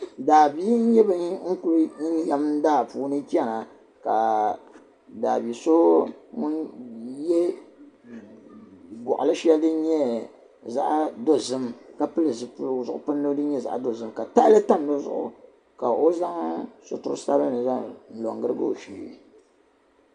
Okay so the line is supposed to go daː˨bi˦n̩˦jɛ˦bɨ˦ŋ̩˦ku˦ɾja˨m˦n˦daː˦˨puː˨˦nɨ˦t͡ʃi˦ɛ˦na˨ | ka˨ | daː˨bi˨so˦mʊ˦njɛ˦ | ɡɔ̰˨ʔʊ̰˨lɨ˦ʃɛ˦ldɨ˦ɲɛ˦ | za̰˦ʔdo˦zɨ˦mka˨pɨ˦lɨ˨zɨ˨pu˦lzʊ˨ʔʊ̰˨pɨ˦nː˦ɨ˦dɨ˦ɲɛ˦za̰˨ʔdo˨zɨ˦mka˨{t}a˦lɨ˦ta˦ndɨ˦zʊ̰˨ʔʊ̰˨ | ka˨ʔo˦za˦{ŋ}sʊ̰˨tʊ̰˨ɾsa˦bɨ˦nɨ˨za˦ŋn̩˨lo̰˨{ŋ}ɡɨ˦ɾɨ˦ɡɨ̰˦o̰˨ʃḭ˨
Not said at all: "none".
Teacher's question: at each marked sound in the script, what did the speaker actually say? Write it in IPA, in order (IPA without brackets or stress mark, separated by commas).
t, ŋ, ŋ